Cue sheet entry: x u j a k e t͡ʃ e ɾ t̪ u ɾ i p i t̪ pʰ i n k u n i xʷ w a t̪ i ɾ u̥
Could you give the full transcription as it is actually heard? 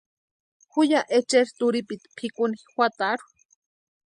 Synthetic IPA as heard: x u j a ʔ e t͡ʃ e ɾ t̪ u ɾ i p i t̪ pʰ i k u n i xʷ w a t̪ a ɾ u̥